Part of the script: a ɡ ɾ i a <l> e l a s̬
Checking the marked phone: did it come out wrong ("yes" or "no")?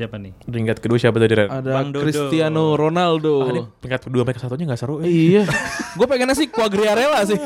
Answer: yes